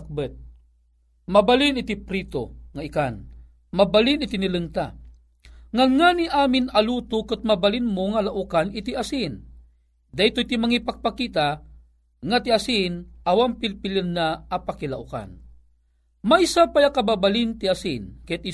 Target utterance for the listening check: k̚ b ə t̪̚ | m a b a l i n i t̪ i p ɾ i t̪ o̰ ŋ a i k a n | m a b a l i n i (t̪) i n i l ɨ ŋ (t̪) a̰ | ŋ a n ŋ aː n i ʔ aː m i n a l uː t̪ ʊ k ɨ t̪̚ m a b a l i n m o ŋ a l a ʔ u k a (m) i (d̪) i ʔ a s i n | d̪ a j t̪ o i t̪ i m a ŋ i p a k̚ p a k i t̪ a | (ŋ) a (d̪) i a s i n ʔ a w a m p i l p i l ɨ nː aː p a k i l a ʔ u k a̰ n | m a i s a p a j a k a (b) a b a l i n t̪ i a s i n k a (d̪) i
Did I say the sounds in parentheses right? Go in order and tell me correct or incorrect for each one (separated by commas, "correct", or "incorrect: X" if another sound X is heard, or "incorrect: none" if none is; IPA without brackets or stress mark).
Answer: correct, correct, incorrect: n, incorrect: t̪, correct, incorrect: t̪, correct, incorrect: t̪